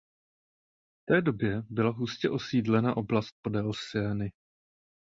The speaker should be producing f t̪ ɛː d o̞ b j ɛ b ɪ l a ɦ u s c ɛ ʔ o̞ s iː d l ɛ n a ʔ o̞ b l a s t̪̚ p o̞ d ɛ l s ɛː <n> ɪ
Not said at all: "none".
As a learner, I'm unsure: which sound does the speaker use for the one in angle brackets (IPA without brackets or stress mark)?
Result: n